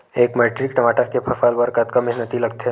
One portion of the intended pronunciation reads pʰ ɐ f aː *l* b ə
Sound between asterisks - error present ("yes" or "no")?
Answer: no